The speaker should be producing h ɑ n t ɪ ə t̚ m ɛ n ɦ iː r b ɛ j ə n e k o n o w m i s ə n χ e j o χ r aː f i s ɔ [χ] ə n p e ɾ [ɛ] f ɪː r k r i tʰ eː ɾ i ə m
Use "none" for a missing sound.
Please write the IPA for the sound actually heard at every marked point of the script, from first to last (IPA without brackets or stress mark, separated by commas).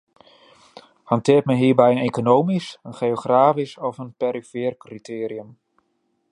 f, i